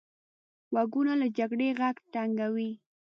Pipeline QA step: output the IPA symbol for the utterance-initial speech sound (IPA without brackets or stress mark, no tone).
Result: w